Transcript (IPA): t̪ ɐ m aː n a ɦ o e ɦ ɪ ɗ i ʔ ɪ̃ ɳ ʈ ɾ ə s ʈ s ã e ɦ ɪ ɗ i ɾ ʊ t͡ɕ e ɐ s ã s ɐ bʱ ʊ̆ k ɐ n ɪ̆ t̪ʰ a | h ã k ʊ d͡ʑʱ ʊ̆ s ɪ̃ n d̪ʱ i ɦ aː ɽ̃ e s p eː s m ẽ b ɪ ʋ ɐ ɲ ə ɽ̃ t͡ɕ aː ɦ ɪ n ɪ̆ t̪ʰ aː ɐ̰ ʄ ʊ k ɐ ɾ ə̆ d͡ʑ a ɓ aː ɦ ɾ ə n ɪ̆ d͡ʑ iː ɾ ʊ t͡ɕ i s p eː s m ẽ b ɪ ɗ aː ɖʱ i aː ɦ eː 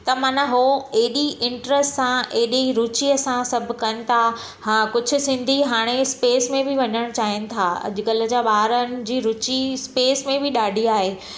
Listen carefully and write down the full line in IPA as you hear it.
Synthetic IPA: t̪ ɐ m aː n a ɦ o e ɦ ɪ ɗ i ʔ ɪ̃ ɳ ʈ ɾ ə s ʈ s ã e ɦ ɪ ɗ i ɾ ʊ t͡ɕ i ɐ s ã s ɐ bʱ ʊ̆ k ɐ n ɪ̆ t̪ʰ a | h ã k ʊ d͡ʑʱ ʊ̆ s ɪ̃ n d̪ʱ i ɦ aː ɽ̃ e s p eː s m ẽ b ɪ ʋ ɐ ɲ ə ɽ̃ t͡ɕ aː ɦ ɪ n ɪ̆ t̪ʰ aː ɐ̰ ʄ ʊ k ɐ l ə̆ d͡ʑ a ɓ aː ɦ ɾ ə n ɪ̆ d͡ʑ iː ɾ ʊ t͡ɕ i s p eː s m ẽ b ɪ ɗ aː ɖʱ i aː ɦ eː